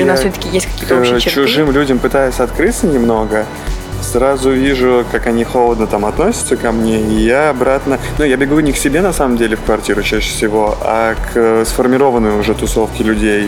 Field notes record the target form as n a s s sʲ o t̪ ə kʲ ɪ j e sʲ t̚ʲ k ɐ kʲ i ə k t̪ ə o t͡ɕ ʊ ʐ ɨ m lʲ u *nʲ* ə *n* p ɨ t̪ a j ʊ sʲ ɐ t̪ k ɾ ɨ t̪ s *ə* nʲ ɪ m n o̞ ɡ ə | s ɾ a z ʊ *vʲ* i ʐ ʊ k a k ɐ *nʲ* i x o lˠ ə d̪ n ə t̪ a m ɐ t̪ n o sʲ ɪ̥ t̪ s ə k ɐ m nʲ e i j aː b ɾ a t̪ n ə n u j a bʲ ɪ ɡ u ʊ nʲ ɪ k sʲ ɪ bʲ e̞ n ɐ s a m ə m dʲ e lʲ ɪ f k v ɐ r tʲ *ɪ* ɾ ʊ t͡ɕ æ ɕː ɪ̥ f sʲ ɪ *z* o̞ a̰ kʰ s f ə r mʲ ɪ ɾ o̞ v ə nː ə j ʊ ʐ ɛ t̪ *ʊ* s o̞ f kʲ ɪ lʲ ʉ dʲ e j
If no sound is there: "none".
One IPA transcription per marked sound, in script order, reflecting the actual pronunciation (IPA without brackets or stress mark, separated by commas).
dʲ, m, ə, vʲ, nʲ, i, v, ʊ